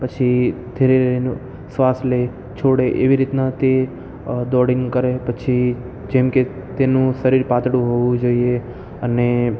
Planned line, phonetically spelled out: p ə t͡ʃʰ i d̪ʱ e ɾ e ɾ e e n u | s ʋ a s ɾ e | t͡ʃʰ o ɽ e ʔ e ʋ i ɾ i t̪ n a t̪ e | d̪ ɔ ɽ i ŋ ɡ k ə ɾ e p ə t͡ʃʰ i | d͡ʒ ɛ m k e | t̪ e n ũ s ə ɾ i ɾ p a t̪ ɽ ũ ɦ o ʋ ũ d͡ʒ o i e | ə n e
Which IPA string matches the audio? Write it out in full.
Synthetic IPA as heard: p ə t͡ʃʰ i d̪ʱ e ɾ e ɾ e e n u | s ʋ a s l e | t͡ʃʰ o ɽ e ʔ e ʋ i ɾ i t̪ n a t̪ e | d̪ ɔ ɽ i ŋ ɡ k ə ɾ e p ə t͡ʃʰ i | d͡ʒ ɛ m k e | t̪ e n ũ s ə ɾ i ɾ p a t̪ ɽ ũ ɦ o ʋ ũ d͡ʒ o i e | ə n e